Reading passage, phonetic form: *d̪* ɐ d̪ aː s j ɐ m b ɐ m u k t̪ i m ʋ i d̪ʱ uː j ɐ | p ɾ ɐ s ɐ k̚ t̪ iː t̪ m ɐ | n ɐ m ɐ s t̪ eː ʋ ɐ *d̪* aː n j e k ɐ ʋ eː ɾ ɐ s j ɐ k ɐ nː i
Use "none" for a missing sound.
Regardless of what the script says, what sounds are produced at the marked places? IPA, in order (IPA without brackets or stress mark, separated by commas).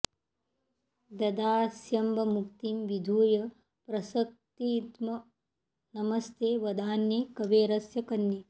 d̪, d̪